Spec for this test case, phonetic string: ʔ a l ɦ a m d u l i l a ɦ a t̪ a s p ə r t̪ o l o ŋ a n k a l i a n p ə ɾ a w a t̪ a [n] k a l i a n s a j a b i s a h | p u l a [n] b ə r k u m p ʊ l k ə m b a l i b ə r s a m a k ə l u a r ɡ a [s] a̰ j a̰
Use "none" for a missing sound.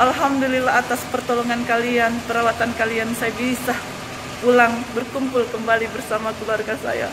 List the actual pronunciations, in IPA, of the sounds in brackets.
n, ŋ, s

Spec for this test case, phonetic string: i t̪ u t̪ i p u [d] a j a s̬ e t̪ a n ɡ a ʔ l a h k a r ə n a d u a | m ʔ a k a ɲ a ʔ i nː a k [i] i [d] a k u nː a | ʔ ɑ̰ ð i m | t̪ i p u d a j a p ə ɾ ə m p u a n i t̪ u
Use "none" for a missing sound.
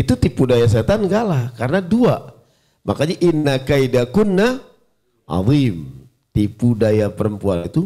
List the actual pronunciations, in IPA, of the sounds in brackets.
d, a, d

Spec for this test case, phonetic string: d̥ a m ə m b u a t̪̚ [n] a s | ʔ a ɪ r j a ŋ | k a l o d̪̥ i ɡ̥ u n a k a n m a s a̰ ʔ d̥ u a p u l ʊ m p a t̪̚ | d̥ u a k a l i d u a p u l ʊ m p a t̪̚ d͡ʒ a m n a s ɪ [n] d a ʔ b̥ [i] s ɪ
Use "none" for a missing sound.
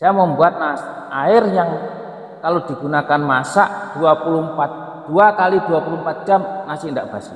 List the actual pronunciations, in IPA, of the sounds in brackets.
n, n, a

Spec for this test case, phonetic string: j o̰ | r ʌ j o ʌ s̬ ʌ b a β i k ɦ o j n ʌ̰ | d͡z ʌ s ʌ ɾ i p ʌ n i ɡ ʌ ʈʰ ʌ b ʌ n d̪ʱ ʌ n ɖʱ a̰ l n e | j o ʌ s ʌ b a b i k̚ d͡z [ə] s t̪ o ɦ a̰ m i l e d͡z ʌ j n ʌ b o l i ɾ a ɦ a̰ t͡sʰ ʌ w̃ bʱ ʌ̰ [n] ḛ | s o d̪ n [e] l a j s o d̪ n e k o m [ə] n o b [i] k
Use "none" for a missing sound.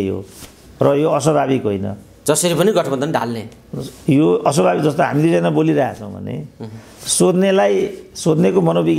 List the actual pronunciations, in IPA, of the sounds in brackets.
ʌ, n, e, ʌ, i

